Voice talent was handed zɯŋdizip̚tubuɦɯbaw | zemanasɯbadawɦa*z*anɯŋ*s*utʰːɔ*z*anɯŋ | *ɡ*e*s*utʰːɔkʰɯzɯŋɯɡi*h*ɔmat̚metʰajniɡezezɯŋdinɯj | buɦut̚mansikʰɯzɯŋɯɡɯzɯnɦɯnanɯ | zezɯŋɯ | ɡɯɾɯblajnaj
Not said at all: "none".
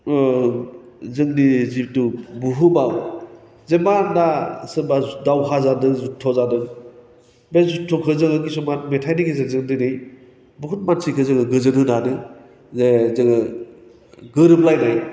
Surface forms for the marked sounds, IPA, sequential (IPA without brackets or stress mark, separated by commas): z, z, z, b, z, s